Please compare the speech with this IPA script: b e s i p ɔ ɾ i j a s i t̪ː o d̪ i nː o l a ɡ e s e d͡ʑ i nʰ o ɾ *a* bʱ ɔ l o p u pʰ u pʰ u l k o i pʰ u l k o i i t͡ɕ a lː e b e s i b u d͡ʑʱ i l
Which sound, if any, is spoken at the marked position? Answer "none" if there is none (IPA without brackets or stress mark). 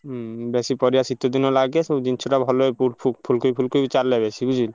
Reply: a